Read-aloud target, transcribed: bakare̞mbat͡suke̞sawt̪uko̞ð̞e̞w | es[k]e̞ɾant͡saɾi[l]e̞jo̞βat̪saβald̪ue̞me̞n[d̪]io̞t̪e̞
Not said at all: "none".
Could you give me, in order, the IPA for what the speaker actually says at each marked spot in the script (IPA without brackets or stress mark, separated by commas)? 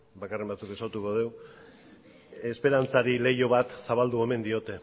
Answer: p, l, d̪